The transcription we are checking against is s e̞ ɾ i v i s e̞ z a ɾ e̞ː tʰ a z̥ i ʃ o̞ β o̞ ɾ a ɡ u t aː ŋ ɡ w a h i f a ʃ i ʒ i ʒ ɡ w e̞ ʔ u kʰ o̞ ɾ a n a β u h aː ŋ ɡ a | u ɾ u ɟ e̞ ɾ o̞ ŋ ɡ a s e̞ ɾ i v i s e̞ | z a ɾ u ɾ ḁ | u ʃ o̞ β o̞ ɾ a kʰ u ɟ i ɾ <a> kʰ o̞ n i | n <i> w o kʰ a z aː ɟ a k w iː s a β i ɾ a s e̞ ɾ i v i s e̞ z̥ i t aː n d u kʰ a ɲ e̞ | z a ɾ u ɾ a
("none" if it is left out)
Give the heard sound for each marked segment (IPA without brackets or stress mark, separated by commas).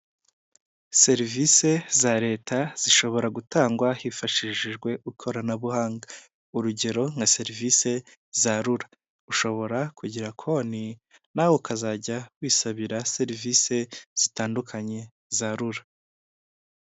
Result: a, a